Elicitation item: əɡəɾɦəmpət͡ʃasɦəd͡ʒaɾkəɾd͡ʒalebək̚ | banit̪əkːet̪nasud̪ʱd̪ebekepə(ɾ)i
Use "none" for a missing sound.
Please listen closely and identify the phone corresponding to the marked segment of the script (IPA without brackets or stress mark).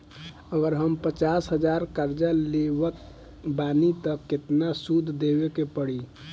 ɽ